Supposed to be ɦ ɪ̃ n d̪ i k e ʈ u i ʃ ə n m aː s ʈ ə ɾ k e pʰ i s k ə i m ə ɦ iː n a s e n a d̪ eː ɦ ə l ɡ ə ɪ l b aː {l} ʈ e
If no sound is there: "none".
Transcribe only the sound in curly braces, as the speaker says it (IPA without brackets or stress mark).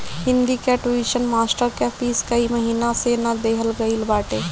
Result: none